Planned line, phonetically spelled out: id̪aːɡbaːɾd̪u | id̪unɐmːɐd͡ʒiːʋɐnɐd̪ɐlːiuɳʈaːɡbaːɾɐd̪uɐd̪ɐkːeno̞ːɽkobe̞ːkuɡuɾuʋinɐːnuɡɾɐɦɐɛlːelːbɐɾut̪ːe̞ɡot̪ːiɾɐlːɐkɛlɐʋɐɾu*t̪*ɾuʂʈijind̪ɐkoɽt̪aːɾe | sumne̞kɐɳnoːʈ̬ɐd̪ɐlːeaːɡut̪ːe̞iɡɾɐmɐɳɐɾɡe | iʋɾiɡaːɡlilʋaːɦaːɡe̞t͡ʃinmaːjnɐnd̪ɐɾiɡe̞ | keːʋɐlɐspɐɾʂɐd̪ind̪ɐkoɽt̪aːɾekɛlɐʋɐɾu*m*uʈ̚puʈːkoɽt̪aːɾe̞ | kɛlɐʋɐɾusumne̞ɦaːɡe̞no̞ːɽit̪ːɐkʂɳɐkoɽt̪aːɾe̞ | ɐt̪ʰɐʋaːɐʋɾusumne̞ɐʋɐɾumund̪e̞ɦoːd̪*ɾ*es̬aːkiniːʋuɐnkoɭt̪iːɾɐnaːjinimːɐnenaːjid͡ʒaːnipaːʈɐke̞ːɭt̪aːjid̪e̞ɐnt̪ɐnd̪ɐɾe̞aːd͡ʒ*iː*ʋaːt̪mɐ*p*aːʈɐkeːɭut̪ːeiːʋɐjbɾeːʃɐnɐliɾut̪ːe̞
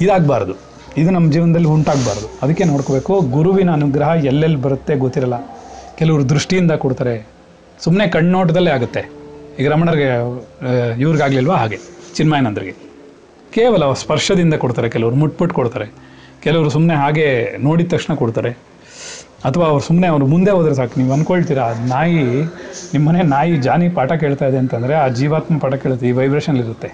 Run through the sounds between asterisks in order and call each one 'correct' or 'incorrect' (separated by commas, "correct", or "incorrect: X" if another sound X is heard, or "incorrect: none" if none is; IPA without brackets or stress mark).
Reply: incorrect: d̪, correct, correct, correct, correct